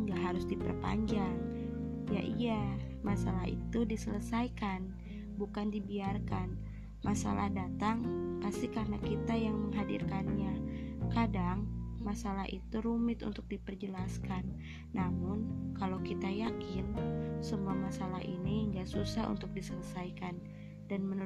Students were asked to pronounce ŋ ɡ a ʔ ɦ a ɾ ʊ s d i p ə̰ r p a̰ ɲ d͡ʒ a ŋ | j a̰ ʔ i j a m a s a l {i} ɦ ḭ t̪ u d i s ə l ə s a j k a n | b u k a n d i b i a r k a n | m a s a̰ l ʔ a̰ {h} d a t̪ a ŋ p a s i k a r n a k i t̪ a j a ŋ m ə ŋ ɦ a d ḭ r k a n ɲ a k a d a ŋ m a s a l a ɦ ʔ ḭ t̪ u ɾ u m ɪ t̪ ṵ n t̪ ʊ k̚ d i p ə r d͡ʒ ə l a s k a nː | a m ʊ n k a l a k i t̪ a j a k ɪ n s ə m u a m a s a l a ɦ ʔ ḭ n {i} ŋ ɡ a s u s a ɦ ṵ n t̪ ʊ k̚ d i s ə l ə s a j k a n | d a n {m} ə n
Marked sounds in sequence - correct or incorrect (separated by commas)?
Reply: incorrect, correct, correct, correct